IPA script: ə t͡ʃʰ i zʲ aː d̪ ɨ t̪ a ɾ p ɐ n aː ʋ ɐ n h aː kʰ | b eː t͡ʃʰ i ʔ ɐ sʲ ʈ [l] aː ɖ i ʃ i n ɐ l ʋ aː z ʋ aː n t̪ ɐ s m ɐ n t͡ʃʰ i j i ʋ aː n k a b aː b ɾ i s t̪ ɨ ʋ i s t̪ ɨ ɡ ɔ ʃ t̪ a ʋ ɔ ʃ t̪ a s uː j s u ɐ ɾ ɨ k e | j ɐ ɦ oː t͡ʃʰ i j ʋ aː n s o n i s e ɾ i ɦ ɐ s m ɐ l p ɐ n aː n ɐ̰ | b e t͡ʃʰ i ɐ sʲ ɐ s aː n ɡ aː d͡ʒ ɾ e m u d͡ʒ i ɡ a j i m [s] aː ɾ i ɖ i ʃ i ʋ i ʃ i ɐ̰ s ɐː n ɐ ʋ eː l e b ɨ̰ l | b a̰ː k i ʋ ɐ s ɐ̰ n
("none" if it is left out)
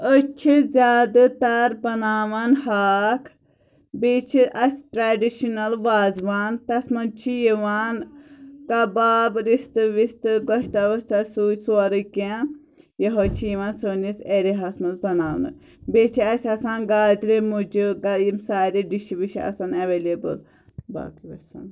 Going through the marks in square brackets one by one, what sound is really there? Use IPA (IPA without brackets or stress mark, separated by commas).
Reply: ɾ, s